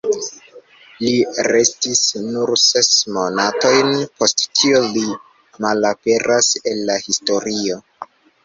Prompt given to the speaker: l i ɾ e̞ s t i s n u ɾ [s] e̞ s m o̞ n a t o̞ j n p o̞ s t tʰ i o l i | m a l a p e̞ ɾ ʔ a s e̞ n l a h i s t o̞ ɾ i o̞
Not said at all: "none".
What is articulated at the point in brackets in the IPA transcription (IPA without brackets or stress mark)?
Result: s